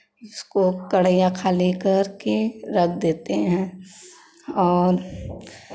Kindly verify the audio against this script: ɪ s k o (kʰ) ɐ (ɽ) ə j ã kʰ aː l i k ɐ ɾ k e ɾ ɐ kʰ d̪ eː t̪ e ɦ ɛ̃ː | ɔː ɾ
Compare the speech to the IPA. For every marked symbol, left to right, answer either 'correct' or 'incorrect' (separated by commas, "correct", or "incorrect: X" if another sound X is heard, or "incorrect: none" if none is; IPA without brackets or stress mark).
incorrect: k, correct